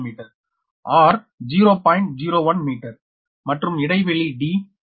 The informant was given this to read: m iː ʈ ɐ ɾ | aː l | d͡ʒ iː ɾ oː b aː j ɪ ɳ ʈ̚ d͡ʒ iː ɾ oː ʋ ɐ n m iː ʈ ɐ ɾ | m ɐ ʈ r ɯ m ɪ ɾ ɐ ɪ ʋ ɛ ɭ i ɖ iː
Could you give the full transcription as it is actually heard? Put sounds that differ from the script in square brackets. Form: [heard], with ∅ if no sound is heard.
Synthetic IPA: m iː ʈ ɐ ɾ | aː [ɾ] | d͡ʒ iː ɾ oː [p] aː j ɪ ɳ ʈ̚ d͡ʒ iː ɾ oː ʋ ɐ n m iː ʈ ɐ ɾ | m ɐ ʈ r ɯ m ɪ [ɽ] ɐ ɪ ʋ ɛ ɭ i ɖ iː